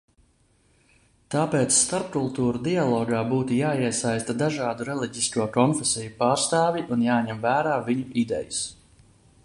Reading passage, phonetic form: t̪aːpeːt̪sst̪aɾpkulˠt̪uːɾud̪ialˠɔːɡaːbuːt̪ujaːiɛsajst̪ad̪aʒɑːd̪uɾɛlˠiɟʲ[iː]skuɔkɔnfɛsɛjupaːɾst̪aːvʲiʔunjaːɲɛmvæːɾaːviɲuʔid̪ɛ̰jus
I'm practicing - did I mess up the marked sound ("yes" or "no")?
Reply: yes